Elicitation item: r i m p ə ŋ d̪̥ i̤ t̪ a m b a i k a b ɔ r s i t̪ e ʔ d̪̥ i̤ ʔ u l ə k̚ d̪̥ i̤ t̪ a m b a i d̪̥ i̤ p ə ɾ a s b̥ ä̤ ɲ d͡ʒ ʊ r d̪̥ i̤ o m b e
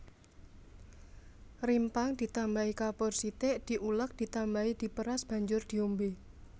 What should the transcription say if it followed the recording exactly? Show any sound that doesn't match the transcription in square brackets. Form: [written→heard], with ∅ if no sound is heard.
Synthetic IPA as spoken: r i m p [ə→a] ŋ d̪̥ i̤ t̪ a m b a i k a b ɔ r s i t̪ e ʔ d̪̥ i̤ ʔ u l ə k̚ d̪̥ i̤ t̪ a m b a i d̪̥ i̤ p ə ɾ a s b̥ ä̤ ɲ d͡ʒ ʊ r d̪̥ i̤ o m b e

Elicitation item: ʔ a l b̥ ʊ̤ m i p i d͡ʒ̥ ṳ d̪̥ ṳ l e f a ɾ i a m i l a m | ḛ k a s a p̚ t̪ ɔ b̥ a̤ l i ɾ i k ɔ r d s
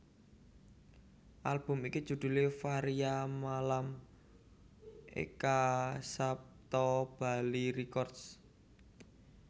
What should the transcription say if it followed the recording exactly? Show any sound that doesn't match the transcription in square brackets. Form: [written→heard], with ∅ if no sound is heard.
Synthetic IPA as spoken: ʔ a l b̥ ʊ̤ m i [p→k] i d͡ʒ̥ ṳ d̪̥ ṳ l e f a ɾ i a m [i→a] l a m | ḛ k a s a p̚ t̪ ɔ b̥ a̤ l i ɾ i k ɔ r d s

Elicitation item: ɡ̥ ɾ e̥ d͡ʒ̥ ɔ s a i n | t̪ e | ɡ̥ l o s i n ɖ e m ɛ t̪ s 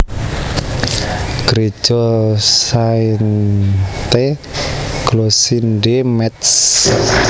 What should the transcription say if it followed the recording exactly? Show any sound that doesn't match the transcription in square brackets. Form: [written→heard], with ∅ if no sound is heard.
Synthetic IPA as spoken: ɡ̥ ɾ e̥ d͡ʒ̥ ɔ s a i n | t̪ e | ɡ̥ l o s i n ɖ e m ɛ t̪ s

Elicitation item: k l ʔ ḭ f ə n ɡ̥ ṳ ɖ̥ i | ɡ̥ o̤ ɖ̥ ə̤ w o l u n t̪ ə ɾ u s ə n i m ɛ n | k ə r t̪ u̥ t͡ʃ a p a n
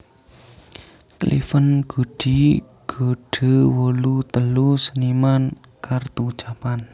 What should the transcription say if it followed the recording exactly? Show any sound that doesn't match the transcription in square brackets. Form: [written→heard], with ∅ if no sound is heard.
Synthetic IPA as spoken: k l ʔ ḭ f ə n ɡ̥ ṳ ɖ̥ i | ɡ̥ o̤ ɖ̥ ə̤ w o l u [n→∅] t̪ ə [ɾ→l] u s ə n i m [ɛ→a] n | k [ə→a] r t̪ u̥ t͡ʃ a p a n

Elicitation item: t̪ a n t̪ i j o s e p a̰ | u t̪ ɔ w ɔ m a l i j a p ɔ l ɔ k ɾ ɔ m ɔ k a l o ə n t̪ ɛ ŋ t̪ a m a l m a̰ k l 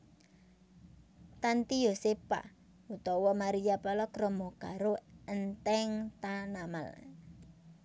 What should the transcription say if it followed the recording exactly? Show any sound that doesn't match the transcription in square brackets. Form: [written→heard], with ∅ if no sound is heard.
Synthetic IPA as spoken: t̪ a n t̪ i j o s e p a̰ | u t̪ ɔ w ɔ m a [l→ɾ] i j a p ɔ l ɔ k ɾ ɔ m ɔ k a [l→ɾ] o ə n t̪ ɛ ŋ t̪ a [m→n] a [l→∅] m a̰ [k→∅] l

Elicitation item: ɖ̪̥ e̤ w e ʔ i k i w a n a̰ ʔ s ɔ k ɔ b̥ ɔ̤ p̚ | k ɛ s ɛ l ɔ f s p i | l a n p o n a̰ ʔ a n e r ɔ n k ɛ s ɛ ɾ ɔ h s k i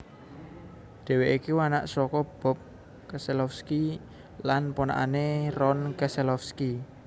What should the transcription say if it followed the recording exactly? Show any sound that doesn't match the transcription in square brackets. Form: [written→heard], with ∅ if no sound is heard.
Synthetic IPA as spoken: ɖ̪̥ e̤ w e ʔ i k i w a n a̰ ʔ s ɔ k ɔ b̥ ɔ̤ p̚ | k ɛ s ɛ l ɔ f s [p→k] i | l a n p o n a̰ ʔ a n e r ɔ n k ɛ s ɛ [ɾ→l] ɔ [h→f] s k i

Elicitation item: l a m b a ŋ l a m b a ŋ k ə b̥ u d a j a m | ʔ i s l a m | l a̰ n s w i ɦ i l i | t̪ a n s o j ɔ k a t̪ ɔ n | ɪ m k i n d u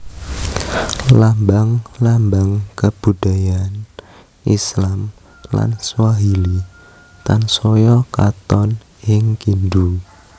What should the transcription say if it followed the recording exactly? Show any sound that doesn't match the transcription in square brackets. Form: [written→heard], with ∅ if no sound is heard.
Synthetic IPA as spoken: l a m b a ŋ l a m b a ŋ k ə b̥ u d a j a [m→n] | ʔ i s l a m | l a̰ n s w [i→a] ɦ i l i | t̪ a n s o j ɔ k a t̪ ɔ n | ɪ [m→ŋ] k i n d u

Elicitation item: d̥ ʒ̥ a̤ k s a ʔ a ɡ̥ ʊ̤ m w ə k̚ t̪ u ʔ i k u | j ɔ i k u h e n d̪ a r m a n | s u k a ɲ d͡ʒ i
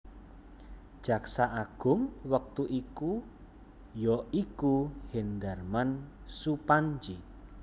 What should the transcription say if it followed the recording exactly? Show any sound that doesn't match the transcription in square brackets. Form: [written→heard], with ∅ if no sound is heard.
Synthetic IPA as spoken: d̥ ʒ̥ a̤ k s a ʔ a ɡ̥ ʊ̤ m w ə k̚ t̪ u ʔ i k u | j ɔ i k u h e n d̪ a r m a n | s u [k→p] a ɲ d͡ʒ i

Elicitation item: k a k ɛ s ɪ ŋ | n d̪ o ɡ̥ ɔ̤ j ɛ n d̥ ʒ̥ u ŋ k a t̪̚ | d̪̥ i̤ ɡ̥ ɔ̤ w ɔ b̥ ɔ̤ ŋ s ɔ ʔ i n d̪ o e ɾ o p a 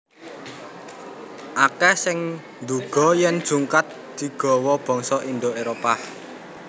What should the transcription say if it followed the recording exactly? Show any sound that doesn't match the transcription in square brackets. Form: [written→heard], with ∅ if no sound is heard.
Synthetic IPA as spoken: [k→ʔ] a k ɛ s ɪ ŋ | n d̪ [o→u] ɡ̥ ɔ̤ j ɛ n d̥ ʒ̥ u ŋ k a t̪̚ | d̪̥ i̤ ɡ̥ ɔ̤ w ɔ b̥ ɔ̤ ŋ s ɔ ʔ i n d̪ o e ɾ o p a

